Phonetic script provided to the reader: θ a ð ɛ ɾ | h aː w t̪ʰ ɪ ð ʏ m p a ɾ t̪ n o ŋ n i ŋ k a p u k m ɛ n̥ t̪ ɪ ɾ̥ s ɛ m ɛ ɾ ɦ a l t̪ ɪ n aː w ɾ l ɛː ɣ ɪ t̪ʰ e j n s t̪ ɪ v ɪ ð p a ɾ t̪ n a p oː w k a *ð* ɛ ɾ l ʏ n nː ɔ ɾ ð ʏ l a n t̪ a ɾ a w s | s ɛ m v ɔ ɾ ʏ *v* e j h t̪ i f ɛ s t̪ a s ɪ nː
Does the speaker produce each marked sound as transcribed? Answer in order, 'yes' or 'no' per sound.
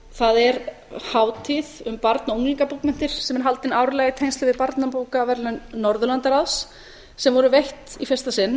no, yes

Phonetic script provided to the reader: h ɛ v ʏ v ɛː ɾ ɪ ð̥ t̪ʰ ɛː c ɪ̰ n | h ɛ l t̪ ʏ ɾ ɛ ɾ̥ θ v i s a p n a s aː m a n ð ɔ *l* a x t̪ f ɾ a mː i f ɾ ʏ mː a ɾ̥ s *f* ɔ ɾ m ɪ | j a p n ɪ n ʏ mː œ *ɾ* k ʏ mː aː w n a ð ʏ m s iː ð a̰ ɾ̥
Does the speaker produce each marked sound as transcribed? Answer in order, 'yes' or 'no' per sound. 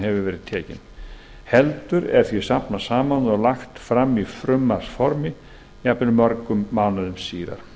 yes, yes, yes

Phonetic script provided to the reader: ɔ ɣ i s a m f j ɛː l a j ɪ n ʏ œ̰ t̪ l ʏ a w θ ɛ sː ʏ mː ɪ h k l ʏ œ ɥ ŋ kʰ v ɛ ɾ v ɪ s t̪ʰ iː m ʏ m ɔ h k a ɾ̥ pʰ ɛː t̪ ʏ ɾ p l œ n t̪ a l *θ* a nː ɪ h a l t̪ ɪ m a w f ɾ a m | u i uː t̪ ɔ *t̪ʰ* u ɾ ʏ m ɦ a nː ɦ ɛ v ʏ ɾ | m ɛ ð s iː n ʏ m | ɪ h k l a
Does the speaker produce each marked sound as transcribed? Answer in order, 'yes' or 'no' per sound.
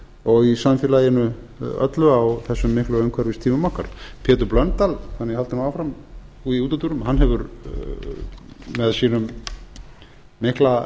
yes, no

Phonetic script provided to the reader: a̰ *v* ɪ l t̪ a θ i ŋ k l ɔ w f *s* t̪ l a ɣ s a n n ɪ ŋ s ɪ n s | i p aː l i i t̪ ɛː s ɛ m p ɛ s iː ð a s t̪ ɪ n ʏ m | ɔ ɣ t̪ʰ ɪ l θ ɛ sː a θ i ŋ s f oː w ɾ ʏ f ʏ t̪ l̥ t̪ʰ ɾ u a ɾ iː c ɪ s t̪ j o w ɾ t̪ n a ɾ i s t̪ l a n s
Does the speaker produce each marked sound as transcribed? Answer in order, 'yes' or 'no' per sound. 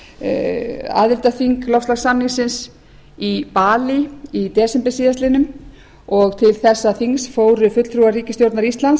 no, yes

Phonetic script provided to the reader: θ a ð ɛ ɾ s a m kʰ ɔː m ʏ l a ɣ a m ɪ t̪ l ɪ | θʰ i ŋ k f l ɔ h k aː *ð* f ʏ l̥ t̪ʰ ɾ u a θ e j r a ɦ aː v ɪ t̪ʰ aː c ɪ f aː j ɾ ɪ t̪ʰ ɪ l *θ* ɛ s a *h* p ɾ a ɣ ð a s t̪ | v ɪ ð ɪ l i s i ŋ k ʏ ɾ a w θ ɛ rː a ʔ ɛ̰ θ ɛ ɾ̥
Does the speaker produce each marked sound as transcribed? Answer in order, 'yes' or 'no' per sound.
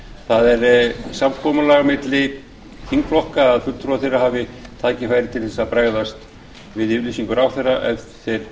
yes, yes, no

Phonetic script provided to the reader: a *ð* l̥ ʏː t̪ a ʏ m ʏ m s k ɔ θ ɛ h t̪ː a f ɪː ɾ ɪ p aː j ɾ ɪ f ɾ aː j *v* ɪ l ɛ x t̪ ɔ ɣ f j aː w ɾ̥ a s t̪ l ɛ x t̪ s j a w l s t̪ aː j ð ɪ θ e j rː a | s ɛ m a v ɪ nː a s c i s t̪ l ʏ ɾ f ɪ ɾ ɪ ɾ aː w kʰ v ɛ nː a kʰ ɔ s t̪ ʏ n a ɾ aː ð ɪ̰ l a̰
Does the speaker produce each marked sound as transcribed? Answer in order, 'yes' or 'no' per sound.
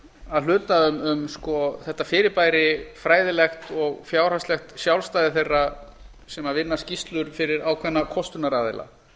yes, no

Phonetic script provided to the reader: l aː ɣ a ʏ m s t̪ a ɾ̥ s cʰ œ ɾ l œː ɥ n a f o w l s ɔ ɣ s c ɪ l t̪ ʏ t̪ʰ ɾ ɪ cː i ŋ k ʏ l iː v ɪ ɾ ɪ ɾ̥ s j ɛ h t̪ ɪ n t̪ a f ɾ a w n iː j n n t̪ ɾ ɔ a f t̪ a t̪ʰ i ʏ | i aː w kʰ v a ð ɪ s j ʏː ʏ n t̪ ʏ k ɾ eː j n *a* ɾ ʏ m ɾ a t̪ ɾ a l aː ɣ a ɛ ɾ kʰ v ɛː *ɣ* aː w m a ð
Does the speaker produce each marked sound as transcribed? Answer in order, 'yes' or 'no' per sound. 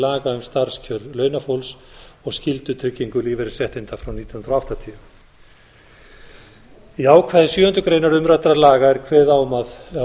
yes, no

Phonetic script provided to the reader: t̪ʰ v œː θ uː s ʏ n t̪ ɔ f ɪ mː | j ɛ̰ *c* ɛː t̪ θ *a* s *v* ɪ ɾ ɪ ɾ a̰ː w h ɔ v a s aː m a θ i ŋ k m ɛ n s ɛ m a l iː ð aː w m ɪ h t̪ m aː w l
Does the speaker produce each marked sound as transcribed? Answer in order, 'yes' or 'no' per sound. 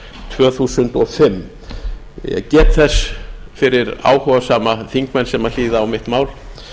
yes, no, no

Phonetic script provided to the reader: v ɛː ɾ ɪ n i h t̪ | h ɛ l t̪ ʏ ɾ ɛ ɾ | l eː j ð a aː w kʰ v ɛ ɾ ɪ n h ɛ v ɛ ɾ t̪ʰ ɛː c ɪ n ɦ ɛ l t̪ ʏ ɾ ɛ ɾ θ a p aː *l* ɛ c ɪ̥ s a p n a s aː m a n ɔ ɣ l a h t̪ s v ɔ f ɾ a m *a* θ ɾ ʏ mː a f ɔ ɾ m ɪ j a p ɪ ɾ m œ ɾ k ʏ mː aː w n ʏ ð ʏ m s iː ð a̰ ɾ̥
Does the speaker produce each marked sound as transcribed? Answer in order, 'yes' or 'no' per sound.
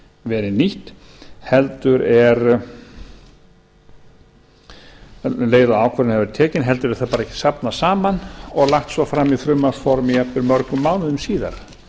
no, no

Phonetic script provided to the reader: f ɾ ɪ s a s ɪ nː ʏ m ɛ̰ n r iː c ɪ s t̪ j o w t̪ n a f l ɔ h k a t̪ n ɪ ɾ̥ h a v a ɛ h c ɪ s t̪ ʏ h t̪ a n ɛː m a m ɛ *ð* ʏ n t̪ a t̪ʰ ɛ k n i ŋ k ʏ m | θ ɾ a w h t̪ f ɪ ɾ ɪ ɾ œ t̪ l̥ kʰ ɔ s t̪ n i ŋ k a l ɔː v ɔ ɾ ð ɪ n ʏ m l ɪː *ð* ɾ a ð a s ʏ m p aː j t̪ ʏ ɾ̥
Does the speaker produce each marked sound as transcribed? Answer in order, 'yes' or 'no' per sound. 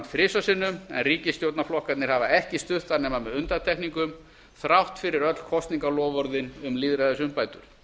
yes, yes

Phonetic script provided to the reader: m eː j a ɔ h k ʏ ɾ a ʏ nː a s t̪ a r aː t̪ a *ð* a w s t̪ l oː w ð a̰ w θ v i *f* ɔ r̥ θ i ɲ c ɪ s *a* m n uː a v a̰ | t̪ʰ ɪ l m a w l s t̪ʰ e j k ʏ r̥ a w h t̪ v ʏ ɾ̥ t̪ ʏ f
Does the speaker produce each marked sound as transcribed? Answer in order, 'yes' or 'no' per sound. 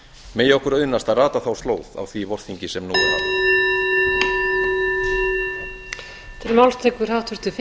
no, no, no

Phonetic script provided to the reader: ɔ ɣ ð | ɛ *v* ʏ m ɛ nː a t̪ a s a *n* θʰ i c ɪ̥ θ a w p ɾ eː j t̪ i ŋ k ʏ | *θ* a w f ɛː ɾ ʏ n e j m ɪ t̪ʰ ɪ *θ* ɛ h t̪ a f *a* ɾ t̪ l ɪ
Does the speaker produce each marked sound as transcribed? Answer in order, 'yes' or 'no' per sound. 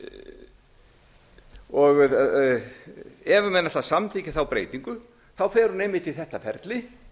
yes, no, yes, yes, no

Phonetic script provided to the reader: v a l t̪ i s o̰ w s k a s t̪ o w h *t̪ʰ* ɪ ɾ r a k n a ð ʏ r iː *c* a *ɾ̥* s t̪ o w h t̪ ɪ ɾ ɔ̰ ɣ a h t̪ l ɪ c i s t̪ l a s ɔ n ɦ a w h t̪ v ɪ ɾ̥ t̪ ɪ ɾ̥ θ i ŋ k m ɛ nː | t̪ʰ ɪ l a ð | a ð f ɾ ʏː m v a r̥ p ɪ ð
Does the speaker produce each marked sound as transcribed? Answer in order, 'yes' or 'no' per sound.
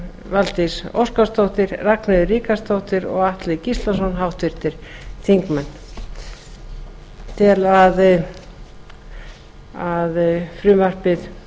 no, no, no

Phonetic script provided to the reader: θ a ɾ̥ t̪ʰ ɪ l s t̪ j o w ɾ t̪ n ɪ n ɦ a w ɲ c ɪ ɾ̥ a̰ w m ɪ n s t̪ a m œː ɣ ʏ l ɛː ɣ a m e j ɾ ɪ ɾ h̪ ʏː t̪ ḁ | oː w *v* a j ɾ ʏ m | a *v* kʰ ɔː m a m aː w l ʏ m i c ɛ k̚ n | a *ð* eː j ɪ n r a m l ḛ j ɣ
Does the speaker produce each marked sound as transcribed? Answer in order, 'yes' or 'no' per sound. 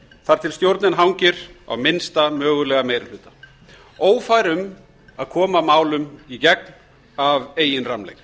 no, no, no

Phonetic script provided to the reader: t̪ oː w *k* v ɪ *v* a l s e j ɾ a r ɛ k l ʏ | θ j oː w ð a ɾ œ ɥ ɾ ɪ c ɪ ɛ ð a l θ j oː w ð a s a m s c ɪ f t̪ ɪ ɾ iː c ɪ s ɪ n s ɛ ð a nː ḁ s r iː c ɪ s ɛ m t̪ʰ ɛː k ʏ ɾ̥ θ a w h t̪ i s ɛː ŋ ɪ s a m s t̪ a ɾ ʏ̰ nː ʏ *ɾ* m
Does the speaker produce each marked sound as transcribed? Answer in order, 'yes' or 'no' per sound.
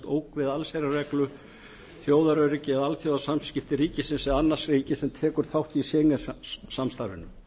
yes, no, no

